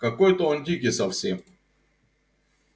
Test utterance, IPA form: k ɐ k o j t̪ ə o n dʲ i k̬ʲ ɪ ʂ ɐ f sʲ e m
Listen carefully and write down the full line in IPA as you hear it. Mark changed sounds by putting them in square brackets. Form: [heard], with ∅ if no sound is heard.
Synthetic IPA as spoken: k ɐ k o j t̪ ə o n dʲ i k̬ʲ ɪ [s] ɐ f sʲ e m